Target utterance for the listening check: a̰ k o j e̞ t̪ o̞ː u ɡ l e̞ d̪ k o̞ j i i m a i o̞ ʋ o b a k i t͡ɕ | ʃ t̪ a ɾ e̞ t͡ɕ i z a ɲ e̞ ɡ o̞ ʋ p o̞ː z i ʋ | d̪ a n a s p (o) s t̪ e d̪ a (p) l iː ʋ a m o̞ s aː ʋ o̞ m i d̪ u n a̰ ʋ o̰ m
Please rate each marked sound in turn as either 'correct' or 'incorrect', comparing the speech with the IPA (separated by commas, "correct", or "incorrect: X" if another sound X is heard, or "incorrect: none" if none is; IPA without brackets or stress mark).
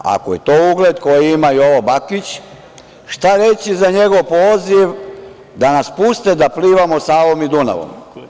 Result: incorrect: u, correct